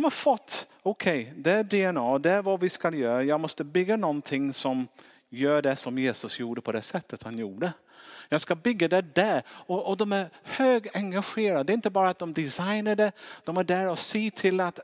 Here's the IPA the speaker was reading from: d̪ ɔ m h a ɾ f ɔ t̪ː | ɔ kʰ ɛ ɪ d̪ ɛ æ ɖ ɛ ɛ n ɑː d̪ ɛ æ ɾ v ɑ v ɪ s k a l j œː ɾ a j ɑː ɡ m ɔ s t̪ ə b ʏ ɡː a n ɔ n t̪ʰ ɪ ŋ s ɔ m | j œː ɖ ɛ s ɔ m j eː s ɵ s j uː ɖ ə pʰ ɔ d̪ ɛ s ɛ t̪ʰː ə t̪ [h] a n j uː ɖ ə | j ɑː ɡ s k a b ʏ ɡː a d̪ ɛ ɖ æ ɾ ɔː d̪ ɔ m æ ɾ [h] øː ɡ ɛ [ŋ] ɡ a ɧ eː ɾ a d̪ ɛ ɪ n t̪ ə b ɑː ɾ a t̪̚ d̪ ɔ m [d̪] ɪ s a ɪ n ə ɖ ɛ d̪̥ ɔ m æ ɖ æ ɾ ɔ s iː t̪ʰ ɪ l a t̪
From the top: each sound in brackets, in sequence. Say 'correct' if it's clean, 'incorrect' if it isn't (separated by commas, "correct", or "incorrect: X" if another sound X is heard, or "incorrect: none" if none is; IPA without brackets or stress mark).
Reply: correct, correct, correct, correct